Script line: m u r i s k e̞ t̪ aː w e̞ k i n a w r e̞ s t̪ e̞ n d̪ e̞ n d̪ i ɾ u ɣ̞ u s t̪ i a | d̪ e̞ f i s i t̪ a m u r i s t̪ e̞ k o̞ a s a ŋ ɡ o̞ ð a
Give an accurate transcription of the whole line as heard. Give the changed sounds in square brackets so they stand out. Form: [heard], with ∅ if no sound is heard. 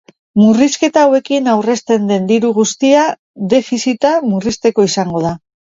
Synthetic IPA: m u r i s k e̞ t̪ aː w e̞ k i n a w r e̞ s t̪ e̞ n d̪ e̞ n d̪ i ɾ u ɣ̞ u s t̪ i a | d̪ e̞ f i s i t̪ a m u r i s t̪ e̞ k o̞ [i] s a ŋ ɡ o̞ ð a